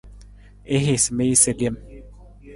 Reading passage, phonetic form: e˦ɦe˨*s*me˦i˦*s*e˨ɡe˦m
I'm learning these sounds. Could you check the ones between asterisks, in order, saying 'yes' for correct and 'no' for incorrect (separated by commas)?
yes, yes